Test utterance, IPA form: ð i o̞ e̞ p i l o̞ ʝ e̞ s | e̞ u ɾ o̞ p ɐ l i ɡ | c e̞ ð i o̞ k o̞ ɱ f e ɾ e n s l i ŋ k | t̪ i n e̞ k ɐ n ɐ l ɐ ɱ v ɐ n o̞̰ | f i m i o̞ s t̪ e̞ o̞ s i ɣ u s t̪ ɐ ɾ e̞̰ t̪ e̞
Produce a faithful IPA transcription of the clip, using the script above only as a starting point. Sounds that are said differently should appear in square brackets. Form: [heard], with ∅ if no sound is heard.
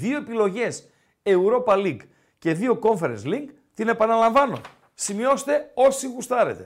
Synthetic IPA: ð i o̞ e̞ p i l o̞ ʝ e̞ s | e̞ u ɾ o̞ p ɐ l i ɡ | c e̞ ð i o̞ k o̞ ɱ f e ɾ e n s l i ŋ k | t̪ i n e̞ [p] ɐ n ɐ l ɐ ɱ v ɐ n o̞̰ | [s] i m i o̞ s t̪ e̞ o̞ s i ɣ u s t̪ ɐ ɾ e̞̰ t̪ e̞